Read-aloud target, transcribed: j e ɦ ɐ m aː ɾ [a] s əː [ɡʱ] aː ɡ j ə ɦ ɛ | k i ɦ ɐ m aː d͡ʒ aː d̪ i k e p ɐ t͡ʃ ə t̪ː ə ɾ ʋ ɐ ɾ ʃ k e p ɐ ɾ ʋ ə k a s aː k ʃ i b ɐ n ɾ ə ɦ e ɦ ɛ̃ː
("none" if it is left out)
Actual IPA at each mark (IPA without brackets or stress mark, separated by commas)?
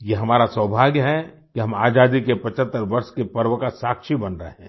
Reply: a, bʱ